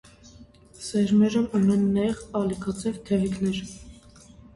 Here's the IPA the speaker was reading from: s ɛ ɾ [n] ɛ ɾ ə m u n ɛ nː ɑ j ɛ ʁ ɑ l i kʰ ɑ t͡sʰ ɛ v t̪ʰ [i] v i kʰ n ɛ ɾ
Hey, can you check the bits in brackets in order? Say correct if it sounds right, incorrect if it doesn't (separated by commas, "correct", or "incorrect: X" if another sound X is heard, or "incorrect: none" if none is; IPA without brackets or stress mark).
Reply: incorrect: m, incorrect: ɛ